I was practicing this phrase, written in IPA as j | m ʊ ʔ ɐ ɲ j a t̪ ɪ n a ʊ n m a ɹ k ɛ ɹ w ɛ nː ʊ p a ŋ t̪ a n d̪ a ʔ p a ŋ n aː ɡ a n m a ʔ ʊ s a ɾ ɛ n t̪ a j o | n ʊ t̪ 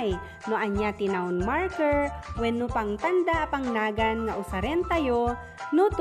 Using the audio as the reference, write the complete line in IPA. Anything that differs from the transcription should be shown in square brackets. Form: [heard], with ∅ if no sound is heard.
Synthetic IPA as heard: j | [n] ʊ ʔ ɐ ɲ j a t̪ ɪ n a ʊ n m a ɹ k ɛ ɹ w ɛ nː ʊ p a ŋ t̪ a n d̪ a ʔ p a ŋ n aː ɡ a n [ŋ] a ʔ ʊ s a ɾ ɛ n t̪ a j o | n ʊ t̪